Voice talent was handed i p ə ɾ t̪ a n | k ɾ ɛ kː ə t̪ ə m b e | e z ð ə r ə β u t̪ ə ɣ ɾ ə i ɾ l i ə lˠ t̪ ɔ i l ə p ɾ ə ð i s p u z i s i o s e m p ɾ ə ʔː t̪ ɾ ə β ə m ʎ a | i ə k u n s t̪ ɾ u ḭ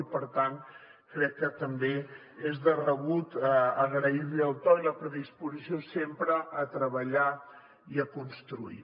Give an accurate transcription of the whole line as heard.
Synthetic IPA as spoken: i p ə ɾ t̪ a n | k ɾ ɛ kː ə t̪ ə m b e | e z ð ə r ə β u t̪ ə ɣ ɾ ə i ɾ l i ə lˠ t̪ ɔ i l ə p ɾ ə ð i s p u z i s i o s e m p ɾ ə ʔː t̪ ɾ ə β ə ʎ a | i ə k u n s t̪ ɾ u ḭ